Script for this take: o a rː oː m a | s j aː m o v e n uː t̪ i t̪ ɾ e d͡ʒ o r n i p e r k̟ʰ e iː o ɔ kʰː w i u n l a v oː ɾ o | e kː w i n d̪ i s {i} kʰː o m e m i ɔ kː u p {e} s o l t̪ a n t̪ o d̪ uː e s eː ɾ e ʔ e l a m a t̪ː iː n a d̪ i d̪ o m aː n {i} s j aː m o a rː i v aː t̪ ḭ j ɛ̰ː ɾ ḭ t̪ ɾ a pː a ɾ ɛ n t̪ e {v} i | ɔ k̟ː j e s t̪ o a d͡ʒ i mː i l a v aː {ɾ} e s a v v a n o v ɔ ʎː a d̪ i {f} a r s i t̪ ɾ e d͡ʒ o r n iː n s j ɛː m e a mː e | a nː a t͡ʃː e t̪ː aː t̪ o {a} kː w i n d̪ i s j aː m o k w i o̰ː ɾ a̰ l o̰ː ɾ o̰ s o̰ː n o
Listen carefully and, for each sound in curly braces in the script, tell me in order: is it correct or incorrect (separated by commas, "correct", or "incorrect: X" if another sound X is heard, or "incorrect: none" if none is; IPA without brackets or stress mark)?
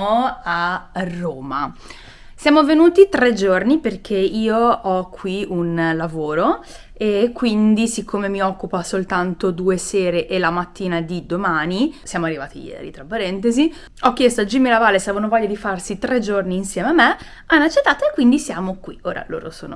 correct, incorrect: a, correct, incorrect: z, incorrect: l, correct, incorrect: e